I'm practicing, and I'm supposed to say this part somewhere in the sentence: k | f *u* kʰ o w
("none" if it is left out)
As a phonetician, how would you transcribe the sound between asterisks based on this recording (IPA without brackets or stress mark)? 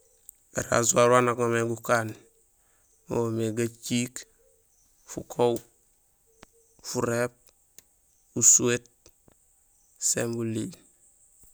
u